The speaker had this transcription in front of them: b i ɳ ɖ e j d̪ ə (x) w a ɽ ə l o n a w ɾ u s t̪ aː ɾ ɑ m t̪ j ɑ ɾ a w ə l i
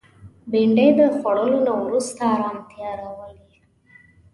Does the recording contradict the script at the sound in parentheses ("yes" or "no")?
no